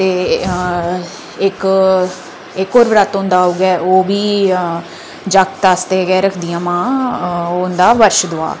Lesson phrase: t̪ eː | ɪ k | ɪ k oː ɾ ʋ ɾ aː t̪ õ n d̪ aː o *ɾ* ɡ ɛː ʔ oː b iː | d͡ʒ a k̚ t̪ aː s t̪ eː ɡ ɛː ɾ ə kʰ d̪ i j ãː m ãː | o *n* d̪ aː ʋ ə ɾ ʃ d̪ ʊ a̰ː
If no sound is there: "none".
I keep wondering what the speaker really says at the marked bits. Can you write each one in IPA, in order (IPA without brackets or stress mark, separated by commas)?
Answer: none, n